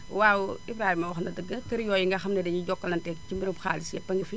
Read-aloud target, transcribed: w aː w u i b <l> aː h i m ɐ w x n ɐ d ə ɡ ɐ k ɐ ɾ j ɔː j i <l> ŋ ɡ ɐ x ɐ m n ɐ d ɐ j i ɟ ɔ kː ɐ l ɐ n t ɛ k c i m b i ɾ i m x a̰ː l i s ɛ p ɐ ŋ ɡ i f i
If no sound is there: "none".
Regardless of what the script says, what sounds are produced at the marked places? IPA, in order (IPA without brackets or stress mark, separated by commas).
ɾ, none